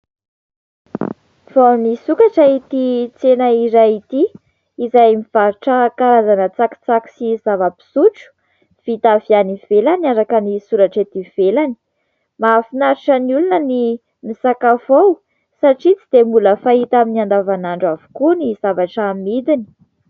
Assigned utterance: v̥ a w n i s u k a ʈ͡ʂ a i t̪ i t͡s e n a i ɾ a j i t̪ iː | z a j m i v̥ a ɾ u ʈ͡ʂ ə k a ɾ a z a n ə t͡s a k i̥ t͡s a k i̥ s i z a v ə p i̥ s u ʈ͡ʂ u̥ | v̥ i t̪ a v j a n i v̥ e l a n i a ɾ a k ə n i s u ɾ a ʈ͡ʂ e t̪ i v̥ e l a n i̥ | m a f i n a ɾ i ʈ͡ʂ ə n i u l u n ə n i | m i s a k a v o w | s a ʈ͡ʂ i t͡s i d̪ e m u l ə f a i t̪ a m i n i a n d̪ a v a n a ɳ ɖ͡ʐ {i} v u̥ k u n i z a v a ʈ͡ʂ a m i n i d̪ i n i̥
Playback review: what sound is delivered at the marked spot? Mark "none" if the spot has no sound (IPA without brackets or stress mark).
a